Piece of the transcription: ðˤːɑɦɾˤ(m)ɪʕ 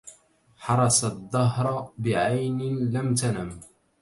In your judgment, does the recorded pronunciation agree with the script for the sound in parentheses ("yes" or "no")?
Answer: no